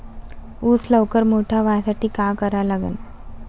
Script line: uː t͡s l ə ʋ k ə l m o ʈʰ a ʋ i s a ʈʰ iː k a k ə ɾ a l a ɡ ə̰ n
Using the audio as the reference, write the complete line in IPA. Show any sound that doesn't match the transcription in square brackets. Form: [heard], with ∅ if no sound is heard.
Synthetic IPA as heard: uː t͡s l ə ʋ k ə [ɾ] m o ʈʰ a ʋ [a] s a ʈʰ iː k a k ə ɾ a l a ɡ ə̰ n